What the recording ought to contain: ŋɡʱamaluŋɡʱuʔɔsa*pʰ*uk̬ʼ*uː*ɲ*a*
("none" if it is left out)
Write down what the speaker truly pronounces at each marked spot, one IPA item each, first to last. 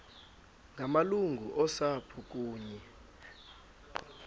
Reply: pʰ, uː, ɛ

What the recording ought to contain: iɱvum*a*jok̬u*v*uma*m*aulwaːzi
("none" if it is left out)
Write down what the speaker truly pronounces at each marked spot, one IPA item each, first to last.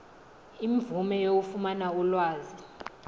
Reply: ɛ, f, n

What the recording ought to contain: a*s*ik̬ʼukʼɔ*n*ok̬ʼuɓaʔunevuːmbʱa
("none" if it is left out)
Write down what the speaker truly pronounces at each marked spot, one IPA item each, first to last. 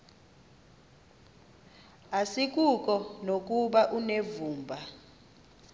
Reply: s, n

